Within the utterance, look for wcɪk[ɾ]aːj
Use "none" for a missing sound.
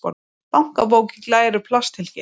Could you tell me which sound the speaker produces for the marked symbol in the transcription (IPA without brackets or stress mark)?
l